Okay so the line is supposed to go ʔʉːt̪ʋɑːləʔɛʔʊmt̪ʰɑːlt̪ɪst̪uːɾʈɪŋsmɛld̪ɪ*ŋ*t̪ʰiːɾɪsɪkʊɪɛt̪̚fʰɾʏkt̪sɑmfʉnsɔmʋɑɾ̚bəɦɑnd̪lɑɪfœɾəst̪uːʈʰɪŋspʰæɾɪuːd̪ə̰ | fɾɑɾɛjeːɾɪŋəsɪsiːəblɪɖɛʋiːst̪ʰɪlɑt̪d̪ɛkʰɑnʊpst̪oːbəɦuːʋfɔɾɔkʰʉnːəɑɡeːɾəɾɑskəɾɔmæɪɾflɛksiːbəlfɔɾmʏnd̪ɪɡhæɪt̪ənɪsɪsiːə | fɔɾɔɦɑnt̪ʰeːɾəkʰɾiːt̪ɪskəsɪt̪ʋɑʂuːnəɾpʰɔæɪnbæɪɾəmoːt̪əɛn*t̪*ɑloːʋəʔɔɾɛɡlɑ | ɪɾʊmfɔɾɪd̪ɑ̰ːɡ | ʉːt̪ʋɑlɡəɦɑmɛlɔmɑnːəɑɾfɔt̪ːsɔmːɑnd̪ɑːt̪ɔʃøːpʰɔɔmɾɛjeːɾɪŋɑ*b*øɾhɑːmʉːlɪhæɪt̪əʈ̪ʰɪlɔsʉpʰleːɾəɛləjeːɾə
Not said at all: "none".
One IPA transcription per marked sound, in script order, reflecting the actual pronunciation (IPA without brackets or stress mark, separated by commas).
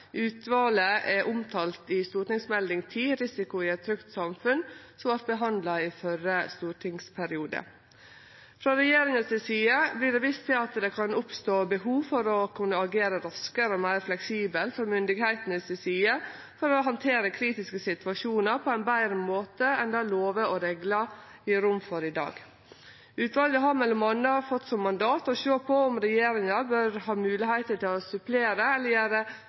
ŋ, d̪, b